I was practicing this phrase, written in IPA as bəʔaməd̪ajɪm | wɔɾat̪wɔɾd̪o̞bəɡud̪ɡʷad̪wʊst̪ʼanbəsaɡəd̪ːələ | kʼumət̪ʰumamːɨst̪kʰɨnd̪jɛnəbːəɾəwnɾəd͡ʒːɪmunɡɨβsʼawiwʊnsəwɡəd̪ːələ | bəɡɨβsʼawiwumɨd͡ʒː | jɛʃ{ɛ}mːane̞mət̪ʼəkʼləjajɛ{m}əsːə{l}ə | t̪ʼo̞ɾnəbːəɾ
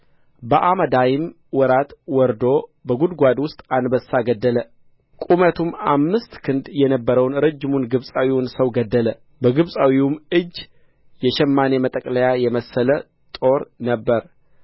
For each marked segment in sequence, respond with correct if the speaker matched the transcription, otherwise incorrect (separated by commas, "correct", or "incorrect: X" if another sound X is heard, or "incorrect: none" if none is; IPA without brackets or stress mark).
correct, correct, correct